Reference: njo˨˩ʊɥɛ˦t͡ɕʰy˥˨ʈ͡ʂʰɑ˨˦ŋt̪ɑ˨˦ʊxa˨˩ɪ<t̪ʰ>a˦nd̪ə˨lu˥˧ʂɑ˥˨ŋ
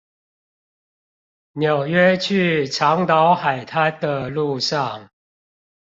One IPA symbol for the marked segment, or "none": t̪ʰ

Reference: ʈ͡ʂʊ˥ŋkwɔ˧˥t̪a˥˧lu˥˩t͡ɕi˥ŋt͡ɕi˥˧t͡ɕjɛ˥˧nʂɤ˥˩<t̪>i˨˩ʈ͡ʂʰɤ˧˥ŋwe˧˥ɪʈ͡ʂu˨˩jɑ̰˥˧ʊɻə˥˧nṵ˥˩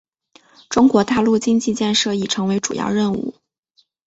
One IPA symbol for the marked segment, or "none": none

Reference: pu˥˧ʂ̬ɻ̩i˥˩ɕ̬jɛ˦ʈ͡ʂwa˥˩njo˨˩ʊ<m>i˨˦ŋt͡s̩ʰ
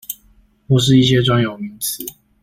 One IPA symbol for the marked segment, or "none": m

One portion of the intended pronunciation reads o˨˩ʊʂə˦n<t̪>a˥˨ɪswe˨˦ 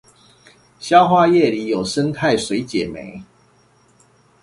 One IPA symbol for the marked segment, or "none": t̪ʰ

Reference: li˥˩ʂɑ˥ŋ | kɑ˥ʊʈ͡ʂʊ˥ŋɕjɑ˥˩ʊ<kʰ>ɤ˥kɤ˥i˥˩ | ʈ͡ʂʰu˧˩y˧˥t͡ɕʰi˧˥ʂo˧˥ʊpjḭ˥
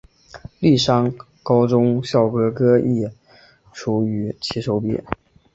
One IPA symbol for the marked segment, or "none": k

